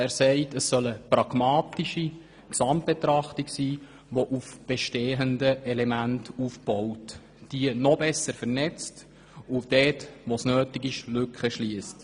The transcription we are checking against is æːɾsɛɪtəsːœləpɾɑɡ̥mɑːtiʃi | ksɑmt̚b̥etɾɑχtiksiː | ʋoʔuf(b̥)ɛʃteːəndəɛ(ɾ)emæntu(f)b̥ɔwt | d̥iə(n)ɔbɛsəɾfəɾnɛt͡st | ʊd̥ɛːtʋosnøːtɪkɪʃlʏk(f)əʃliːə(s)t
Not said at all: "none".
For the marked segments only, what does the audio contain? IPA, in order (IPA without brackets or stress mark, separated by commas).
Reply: b̥, l, f, n, χ, s